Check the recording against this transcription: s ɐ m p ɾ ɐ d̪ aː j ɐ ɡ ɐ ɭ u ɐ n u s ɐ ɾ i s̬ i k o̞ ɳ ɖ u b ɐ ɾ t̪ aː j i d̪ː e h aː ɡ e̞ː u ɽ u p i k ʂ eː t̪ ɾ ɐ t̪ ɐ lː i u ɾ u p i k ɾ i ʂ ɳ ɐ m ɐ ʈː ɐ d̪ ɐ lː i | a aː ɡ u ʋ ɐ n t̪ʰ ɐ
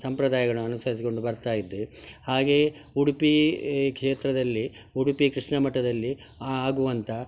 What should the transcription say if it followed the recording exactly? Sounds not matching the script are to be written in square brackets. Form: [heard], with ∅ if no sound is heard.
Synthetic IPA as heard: s ɐ m p ɾ ɐ d̪ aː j ɐ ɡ ɐ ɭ u ɐ n u s ɐ ɾ i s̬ i k o̞ ɳ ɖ u b ɐ ɾ t̪ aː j i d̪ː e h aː ɡ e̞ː u ɽ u p i k ʂ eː t̪ ɾ ɐ [d̪] ɐ lː i u [ɽ] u p i k ɾ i ʂ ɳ ɐ m ɐ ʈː ɐ d̪ ɐ lː i | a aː ɡ u ʋ ɐ n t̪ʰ ɐ